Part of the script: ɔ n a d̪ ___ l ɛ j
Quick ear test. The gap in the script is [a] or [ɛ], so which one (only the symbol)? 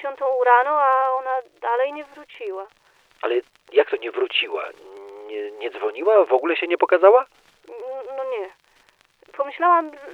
a